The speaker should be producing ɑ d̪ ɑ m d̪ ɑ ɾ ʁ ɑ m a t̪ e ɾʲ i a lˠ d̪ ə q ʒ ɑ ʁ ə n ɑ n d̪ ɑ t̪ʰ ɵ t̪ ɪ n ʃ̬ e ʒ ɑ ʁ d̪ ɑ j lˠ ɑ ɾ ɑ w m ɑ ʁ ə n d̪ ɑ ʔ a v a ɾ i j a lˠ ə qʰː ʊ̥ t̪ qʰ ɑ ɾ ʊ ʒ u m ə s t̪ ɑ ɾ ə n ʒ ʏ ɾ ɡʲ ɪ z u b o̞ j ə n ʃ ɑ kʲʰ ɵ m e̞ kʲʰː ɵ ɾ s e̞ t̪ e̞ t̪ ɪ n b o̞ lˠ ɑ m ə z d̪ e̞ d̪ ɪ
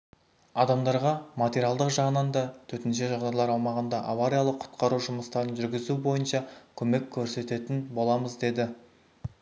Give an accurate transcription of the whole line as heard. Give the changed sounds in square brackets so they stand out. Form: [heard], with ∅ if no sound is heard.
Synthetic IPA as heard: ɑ d̪ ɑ m d̪ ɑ ɾ ʁ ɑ m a t̪ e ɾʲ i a lˠ d̪ ə q ʒ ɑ ʁ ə n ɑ n d̪ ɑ t̪ʰ ɵ t̪ ɪ n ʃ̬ e ʒ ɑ ʁ d̪ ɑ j lˠ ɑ ɾ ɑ w m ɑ ʁ ə n d̪ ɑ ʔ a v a ɾ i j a lˠ ə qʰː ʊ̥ t̪ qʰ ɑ ɾ [u] ʒ [ʊ] m ə s t̪ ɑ ɾ ə n ʒ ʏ ɾ ɡʲ ɪ z u b o̞ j ə n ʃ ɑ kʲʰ ɵ m e̞ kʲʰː ɵ ɾ s e̞ t̪ e̞ t̪ ɪ n b o̞ lˠ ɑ m ə z d̪ e̞ d̪ ɪ